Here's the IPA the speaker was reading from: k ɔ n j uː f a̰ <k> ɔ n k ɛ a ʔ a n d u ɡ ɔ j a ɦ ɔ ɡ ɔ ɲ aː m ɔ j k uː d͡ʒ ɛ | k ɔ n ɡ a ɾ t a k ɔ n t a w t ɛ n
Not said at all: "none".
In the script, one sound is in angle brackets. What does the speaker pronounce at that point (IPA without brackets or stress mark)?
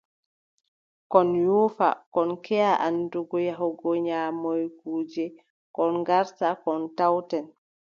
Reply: k